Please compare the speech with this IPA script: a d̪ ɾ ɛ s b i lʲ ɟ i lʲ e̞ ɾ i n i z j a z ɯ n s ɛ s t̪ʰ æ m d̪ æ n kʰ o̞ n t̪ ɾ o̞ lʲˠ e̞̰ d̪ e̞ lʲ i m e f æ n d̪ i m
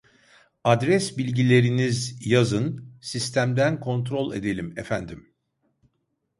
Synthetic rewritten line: a d̪ ɾ ɛ s b i lʲ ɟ i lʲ e̞ ɾ i n i z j a z ɯ n s i s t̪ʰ æ m d̪ æ n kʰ o̞ n t̪ ɾ o̞ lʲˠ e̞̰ d̪ e̞ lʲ i m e f æ n d̪ i m